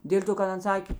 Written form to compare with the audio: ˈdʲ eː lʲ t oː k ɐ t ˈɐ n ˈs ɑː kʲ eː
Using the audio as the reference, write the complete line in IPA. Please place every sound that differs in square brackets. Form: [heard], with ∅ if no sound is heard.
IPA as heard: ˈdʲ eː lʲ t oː k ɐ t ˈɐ n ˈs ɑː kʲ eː